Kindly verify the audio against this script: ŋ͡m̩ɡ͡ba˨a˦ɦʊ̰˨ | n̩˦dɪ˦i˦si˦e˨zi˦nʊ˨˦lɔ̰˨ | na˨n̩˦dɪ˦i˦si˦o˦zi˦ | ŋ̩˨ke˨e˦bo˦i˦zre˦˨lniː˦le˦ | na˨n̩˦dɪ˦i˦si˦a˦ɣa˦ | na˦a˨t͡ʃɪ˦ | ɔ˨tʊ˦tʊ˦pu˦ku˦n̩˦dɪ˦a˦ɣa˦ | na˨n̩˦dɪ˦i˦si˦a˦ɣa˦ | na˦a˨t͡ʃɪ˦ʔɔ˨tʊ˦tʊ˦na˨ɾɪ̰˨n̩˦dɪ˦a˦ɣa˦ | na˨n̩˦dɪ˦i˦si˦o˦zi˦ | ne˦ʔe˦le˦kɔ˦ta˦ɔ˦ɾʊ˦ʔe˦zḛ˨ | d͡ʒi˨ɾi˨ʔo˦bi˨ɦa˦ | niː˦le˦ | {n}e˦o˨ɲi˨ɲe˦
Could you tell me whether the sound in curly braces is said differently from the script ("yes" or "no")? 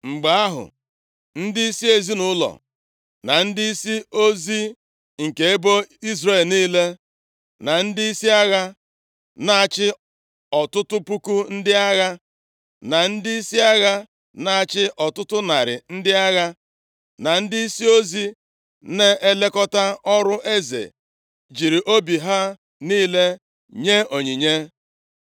yes